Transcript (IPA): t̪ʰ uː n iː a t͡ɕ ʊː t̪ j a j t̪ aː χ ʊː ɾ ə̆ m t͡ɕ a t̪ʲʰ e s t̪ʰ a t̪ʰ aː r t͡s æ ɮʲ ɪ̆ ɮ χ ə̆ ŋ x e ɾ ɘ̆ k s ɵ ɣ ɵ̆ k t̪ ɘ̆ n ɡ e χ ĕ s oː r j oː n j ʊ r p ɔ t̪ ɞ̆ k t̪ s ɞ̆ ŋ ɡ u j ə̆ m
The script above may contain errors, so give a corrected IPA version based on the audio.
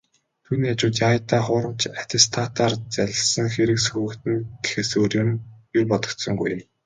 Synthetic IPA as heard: t̪ʰ uː n iː a t͡ɕ ʊː t̪ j a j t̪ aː χ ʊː ɾ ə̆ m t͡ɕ a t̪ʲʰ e s t̪ʰ a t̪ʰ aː r t͡s æ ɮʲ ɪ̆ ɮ s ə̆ ŋ x e ɾ ɘ̆ k s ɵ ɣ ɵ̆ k t̪ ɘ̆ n ɡ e x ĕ s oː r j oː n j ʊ r p ɔ t̪ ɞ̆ k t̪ s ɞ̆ ŋ ɡ u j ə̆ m